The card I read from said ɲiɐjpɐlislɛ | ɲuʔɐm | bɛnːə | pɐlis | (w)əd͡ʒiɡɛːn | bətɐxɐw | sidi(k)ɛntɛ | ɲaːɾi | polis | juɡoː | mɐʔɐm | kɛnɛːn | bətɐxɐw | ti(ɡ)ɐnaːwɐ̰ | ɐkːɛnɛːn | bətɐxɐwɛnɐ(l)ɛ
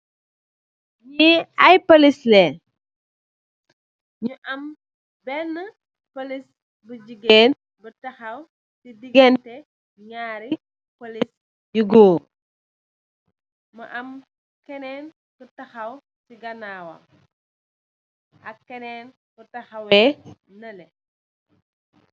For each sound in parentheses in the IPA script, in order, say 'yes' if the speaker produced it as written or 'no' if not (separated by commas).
no, no, yes, yes